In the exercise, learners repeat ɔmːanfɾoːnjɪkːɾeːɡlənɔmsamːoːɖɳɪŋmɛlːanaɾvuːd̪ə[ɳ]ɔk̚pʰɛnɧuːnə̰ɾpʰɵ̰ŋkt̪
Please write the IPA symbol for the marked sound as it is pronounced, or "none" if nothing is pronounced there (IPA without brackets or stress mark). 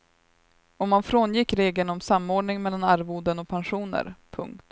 n